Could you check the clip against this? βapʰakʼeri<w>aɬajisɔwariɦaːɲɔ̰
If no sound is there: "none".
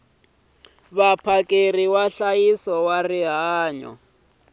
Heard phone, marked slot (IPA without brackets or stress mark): w